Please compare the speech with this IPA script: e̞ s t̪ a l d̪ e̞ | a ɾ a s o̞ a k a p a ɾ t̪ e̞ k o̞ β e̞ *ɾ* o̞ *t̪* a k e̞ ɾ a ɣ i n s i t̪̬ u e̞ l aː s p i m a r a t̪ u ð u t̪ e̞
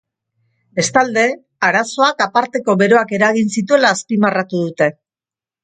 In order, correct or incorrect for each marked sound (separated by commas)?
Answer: correct, incorrect